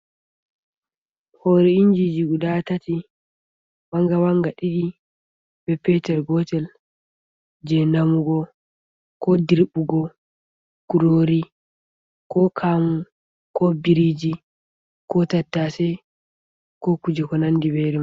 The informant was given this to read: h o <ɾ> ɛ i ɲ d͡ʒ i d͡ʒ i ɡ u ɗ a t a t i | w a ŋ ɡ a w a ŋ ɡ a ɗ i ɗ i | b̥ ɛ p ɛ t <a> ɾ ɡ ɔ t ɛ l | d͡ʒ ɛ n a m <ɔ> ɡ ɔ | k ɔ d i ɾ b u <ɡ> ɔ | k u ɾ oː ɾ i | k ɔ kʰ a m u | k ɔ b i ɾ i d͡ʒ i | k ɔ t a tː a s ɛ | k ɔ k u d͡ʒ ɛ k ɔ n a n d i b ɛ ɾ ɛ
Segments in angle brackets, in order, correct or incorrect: correct, incorrect: ɛ, incorrect: u, correct

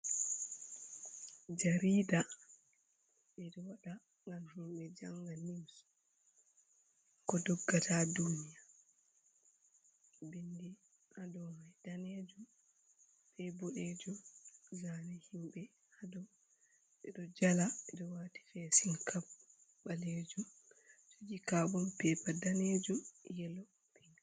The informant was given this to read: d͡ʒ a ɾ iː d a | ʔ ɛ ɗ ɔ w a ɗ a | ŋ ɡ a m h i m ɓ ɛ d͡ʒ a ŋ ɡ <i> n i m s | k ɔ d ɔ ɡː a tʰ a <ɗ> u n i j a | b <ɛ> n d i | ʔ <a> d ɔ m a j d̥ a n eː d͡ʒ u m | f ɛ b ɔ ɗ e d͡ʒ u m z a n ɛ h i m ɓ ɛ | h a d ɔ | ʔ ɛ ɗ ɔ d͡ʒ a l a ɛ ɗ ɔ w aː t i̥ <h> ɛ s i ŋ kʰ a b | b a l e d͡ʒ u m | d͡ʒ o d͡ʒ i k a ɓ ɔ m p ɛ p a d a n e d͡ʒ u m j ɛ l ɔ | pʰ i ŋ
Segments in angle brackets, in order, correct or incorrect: incorrect: a, incorrect: d, incorrect: i, correct, incorrect: f

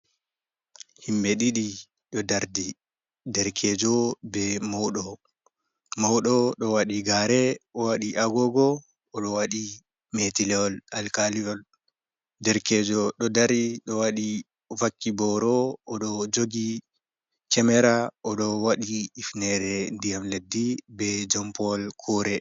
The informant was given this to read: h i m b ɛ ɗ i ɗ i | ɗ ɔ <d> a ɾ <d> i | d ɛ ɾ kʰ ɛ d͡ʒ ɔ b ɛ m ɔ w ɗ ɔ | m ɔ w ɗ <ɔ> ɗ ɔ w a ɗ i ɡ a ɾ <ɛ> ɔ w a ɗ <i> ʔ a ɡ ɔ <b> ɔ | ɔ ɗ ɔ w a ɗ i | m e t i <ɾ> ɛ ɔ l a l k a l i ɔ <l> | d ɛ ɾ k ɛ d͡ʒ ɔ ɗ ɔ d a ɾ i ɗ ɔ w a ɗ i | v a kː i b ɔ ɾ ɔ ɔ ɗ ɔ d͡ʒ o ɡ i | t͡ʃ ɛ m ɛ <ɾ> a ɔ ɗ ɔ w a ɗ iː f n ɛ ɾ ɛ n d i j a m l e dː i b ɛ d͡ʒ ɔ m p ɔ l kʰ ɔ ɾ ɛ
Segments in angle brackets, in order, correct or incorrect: correct, correct, correct, correct, correct, incorrect: ɡ, incorrect: l, correct, correct

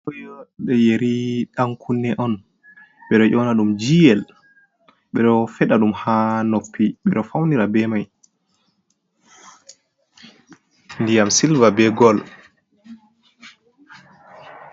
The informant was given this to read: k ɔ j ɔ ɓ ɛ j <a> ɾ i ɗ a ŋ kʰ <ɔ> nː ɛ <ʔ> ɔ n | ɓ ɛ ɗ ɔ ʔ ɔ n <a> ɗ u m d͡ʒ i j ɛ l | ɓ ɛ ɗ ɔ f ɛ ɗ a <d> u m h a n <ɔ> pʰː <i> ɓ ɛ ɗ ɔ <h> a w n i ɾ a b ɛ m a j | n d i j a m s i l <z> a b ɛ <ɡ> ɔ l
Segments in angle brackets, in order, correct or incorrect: incorrect: e, incorrect: u, correct, correct, incorrect: ɗ, incorrect: o, correct, incorrect: f, incorrect: v, correct

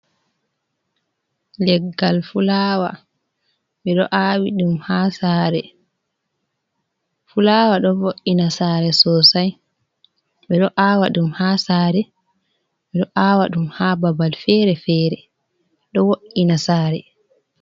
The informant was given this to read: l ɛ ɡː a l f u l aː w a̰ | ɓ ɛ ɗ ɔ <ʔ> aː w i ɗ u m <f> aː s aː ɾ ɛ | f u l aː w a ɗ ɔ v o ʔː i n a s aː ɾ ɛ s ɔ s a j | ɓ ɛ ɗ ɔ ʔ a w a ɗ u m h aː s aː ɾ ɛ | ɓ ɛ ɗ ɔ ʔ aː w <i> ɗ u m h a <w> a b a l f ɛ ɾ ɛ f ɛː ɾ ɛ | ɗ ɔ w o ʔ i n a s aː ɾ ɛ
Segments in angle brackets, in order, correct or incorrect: correct, incorrect: h, incorrect: a, incorrect: b

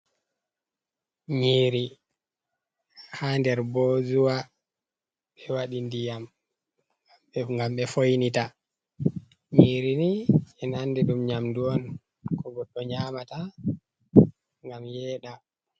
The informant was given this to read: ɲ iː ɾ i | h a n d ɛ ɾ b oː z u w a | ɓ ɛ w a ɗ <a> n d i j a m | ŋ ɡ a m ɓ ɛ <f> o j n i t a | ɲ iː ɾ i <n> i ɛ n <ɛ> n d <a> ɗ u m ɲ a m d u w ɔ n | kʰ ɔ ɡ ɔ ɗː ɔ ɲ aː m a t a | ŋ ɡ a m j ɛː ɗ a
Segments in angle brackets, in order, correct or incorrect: incorrect: i, correct, correct, incorrect: a, incorrect: ɛ

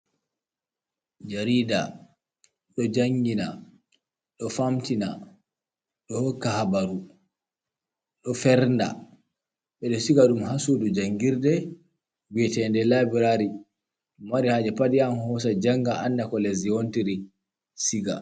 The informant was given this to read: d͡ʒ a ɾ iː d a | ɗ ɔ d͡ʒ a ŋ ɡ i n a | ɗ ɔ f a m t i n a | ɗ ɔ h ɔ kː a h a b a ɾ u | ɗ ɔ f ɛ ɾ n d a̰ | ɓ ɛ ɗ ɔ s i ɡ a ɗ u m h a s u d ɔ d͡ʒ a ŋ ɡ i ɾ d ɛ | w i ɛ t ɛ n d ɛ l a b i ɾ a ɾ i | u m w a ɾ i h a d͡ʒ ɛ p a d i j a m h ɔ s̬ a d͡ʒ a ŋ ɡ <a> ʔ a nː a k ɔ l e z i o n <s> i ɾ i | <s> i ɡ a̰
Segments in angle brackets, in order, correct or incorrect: correct, incorrect: t, correct

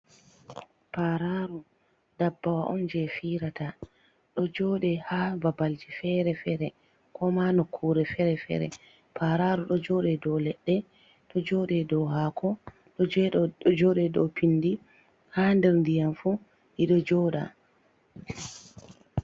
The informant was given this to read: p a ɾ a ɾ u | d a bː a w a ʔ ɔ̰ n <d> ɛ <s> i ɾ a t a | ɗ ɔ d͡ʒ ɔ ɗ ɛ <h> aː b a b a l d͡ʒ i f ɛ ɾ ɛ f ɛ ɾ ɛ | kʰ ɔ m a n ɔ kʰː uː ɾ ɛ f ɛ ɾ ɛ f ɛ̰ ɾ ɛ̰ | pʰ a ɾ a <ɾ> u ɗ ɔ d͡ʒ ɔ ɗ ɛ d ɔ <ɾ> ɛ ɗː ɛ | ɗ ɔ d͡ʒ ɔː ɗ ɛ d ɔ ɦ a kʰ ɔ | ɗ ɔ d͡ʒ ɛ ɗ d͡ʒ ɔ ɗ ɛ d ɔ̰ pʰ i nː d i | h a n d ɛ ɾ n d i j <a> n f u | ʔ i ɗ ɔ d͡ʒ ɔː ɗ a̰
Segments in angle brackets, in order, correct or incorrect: incorrect: d͡ʒ, incorrect: f, correct, correct, incorrect: l, correct

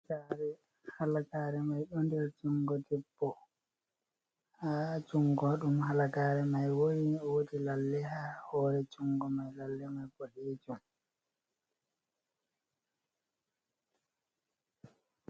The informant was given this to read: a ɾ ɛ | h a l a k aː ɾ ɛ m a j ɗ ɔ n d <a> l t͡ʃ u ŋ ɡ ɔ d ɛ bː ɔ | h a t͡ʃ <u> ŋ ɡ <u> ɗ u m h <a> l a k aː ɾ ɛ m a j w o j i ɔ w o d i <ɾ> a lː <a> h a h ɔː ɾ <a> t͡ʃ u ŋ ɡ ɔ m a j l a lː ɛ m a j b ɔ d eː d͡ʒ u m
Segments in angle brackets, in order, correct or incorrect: incorrect: ɛ, correct, incorrect: ɔ, correct, incorrect: l, incorrect: ɛ, incorrect: ɛ

